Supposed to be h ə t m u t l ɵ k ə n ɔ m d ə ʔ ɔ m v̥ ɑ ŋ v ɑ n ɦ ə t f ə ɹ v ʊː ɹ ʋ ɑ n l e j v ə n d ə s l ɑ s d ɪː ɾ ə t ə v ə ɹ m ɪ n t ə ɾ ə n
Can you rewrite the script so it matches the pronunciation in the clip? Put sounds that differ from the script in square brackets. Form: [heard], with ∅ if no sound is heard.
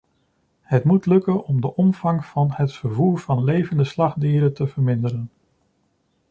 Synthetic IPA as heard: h ə t m u t l ɵ k ə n ɔ m d ə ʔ ɔ m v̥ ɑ ŋ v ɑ n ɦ ə t f ə ɹ v [uː] ɹ [v] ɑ n l e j v ə n d ə s l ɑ [χ] d [iː] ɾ ə t ə v ə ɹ m ɪ n [d] ə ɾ ə n